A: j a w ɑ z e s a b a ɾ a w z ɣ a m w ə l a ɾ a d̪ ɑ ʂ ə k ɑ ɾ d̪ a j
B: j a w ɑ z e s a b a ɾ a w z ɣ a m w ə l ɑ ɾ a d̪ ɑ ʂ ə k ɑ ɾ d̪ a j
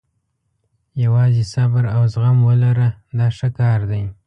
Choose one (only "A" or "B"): A